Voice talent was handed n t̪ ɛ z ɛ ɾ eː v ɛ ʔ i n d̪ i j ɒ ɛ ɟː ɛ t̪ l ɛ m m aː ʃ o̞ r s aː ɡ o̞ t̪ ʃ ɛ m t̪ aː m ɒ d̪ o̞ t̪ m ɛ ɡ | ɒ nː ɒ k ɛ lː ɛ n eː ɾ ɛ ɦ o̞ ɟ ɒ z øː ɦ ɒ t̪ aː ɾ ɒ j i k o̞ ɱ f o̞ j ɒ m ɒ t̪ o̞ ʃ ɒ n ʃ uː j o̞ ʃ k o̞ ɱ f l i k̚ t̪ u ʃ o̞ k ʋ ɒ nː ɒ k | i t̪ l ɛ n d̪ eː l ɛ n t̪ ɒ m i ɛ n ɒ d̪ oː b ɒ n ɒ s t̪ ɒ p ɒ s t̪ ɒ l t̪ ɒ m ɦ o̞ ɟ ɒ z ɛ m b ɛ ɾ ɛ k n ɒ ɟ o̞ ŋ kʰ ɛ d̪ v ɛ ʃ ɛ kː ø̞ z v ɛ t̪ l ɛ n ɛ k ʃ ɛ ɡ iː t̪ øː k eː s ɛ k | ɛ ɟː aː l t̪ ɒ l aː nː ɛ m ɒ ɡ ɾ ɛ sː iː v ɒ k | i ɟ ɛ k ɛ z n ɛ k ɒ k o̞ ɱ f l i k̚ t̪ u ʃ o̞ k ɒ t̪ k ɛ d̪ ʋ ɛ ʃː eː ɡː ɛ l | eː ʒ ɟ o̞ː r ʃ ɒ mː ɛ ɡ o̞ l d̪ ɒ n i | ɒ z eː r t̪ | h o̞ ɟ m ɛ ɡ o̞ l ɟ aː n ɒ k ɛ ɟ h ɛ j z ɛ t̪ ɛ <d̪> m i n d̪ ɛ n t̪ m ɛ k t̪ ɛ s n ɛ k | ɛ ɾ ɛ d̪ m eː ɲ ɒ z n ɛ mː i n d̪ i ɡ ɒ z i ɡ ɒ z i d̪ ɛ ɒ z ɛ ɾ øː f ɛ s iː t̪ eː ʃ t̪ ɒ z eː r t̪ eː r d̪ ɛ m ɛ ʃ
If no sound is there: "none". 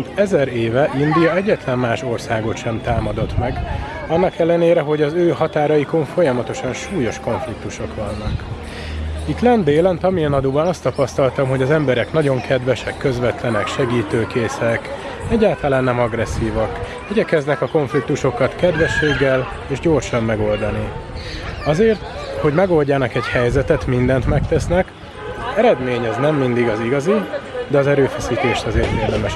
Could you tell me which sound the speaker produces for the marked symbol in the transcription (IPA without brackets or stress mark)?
t̪